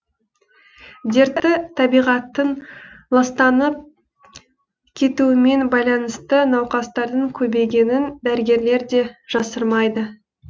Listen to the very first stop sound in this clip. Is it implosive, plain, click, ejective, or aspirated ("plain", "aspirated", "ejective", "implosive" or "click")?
plain